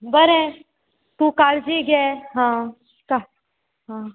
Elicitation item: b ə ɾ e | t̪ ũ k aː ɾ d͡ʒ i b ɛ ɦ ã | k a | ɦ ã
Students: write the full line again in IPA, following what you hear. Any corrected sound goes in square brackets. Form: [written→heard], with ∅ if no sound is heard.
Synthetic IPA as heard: b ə ɾ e | t̪ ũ k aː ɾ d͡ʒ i [b→ɡ] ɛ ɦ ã | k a | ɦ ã